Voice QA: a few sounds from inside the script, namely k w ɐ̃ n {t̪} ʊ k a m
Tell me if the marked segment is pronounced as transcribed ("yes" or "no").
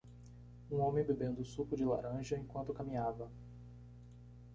yes